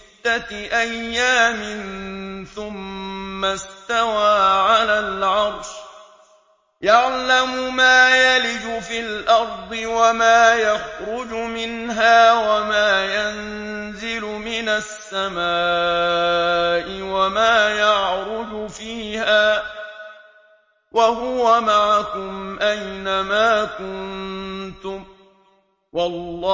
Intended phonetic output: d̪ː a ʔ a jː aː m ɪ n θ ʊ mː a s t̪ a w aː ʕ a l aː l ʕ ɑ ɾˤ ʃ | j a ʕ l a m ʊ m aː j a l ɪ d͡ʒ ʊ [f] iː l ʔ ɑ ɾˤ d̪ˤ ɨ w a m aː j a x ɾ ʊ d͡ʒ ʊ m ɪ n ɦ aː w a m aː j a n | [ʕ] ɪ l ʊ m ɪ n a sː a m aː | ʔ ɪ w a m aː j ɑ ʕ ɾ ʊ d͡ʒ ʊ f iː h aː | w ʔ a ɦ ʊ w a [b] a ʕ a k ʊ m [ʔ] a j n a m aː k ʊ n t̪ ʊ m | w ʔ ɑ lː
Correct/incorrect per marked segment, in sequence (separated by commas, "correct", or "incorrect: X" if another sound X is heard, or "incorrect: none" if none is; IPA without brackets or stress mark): correct, incorrect: z, incorrect: m, correct